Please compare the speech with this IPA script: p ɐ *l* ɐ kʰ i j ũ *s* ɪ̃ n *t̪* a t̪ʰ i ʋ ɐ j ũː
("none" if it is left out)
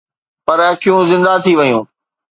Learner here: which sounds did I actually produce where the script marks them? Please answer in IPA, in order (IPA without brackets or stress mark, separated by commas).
ɾ, z, d̪